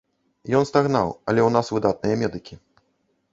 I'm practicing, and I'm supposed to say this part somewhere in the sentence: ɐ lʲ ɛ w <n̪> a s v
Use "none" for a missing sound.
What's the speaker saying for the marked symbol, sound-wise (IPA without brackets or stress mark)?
n̪